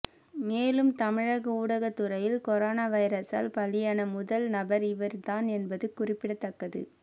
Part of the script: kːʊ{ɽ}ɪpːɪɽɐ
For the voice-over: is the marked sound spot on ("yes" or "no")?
no